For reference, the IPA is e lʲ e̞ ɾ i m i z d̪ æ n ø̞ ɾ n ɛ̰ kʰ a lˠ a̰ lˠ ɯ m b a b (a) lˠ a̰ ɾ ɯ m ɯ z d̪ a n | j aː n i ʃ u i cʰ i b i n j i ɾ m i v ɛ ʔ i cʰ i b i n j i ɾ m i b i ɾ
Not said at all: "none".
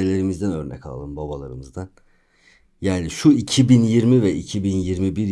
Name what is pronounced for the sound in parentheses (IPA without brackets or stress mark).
a